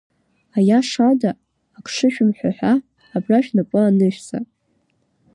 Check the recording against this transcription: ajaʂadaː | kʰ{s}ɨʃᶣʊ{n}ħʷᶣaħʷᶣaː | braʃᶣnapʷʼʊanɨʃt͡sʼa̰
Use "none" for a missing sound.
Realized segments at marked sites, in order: ʂ, m

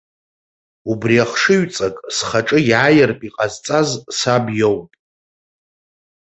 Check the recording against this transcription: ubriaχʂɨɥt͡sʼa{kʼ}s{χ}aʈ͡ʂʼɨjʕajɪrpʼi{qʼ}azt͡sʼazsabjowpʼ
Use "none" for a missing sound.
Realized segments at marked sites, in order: kʼ, χ, qʼ

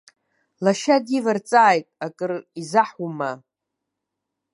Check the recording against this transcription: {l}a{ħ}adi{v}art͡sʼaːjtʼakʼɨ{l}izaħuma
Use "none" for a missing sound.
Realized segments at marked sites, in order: l, ʃ, v, r

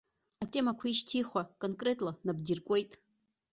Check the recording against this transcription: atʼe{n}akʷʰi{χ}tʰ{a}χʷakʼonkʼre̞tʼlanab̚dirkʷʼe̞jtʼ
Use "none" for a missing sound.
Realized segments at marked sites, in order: m, ʃ, i

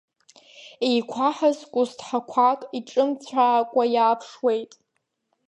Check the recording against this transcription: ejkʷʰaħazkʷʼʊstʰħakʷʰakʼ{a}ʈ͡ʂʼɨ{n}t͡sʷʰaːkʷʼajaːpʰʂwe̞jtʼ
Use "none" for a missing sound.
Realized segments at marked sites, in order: i, m

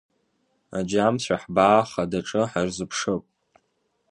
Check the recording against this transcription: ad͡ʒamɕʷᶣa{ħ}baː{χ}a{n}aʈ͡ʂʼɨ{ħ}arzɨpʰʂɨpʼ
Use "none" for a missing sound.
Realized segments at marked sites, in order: ħ, χ, d, ħ

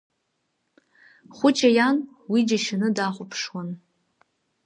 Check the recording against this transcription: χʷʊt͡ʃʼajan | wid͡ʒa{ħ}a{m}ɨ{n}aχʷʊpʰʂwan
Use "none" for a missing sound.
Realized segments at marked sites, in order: ʃ, n, d

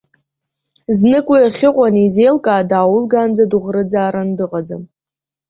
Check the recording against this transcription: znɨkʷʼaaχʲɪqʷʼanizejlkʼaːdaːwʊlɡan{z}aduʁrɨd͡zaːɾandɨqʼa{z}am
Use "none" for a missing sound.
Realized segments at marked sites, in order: d͡z, d͡z

